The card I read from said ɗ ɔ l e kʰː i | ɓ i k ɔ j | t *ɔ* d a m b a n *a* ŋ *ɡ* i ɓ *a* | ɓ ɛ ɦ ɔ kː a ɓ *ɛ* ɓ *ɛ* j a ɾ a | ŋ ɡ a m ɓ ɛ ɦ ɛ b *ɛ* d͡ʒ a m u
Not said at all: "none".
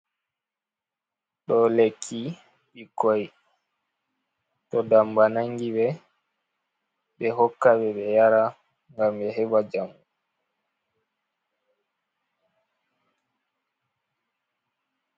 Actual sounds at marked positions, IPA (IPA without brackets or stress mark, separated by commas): ɔ, a, ɡ, ɛ, ɛ, ɛ, a